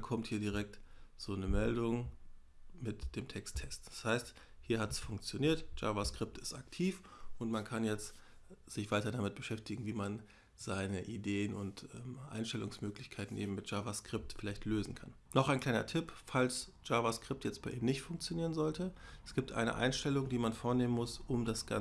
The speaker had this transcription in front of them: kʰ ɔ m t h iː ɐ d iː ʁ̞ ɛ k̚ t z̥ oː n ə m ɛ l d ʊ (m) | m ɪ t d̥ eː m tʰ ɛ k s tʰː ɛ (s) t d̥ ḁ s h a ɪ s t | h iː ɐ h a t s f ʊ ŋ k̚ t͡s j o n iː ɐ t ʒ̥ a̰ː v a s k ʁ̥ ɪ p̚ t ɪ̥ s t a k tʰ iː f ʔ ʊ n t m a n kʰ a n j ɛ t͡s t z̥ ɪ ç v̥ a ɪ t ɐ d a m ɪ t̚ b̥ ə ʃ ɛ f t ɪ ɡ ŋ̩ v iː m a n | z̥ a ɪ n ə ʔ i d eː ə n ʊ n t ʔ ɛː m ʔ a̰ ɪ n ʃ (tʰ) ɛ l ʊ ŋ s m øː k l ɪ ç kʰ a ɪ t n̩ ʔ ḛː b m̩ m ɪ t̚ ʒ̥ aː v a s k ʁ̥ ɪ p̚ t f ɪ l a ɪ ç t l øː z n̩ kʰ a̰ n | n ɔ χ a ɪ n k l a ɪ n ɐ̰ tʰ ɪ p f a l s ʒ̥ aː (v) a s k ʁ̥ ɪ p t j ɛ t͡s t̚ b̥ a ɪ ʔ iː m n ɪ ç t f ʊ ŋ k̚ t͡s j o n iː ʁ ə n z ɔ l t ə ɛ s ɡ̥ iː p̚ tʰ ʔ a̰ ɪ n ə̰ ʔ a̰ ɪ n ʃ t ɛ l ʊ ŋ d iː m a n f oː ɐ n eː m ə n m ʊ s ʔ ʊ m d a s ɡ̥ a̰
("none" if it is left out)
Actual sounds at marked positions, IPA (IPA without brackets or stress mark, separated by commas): ŋ, s, t, v